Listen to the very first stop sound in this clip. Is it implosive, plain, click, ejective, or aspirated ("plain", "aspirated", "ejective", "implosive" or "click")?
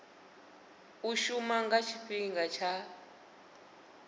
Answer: plain